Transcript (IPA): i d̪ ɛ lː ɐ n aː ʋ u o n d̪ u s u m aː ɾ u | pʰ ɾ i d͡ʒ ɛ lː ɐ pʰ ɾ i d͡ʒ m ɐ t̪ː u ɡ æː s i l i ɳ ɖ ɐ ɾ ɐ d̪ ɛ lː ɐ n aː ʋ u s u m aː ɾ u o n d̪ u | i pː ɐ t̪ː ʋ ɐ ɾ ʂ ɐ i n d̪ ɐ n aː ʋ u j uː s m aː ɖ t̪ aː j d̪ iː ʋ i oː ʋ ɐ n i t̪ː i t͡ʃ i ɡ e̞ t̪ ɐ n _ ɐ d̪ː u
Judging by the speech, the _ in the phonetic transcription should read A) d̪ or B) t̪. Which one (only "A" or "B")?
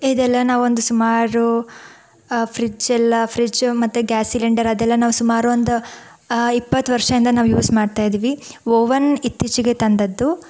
A